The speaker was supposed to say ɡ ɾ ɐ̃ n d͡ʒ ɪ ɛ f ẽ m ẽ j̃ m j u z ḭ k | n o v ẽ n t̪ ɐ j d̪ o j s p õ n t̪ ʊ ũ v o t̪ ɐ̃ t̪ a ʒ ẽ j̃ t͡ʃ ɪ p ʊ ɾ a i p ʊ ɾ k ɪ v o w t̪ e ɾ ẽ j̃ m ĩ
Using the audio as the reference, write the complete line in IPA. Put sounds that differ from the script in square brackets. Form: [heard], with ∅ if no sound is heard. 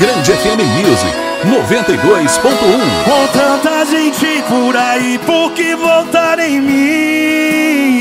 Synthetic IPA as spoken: ɡ ɾ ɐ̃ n d͡ʒ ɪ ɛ f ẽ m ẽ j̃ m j u z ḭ k | n o v ẽ n t̪ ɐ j d̪ o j s p õ n t̪ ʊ ũ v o t̪ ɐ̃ t̪ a ʒ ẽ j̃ t͡ʃ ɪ p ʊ ɾ a i p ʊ ɾ k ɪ v o w t̪ [a] ɾ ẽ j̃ m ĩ